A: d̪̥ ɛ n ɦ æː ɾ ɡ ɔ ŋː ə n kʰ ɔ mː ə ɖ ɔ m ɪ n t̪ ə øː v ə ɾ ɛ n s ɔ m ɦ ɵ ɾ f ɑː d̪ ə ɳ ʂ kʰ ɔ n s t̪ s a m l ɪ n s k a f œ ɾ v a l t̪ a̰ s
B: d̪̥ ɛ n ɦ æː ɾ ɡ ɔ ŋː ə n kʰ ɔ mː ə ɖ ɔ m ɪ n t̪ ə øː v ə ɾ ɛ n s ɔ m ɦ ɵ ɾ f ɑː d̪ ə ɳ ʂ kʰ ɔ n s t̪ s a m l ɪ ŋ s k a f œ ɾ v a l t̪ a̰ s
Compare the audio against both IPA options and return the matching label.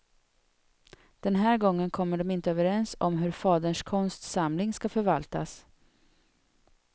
B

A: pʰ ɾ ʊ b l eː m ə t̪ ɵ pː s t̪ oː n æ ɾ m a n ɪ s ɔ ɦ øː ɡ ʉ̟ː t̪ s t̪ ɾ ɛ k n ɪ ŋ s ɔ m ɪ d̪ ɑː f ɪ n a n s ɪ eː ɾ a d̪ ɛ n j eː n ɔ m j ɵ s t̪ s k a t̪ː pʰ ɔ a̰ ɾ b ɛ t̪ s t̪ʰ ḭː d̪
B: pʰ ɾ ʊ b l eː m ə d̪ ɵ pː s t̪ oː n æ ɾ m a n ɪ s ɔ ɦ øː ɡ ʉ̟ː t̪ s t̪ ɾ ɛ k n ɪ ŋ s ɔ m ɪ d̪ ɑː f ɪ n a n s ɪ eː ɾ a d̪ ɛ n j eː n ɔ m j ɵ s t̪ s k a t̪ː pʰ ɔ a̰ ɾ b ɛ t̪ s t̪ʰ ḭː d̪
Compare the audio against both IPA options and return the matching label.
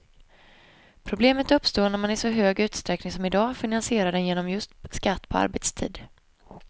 A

